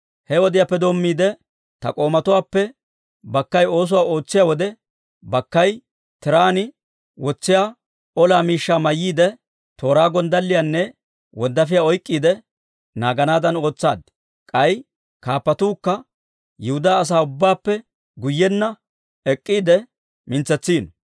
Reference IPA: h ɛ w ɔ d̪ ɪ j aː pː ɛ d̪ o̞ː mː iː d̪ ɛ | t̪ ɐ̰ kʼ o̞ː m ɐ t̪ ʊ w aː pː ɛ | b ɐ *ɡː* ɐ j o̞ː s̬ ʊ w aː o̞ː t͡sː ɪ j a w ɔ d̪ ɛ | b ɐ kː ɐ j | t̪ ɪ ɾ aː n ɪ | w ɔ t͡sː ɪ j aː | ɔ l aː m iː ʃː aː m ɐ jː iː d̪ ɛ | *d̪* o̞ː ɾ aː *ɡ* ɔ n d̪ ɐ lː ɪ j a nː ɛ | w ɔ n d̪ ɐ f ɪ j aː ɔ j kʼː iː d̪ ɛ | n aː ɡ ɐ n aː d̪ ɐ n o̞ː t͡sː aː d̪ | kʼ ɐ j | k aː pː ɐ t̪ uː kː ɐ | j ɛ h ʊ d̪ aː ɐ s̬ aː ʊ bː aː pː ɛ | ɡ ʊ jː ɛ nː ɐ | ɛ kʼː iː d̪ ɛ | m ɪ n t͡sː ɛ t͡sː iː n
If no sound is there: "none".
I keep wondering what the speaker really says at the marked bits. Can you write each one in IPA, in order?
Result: kː, t̪, ɡ

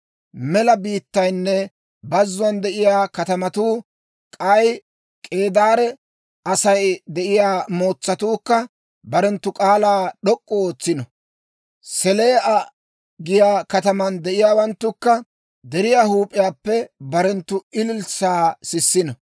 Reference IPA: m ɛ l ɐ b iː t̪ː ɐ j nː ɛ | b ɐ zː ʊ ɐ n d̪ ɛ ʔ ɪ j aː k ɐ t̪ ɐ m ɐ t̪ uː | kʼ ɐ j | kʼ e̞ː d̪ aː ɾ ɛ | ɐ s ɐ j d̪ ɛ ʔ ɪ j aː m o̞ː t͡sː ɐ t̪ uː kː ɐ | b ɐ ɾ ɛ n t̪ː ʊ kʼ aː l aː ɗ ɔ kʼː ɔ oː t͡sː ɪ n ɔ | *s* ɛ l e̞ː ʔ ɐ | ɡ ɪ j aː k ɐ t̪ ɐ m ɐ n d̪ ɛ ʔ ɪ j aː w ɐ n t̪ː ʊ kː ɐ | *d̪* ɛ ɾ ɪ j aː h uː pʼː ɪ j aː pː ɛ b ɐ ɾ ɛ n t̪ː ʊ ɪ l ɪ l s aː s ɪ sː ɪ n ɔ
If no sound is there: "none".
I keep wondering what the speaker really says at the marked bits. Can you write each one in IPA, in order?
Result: s, d̪

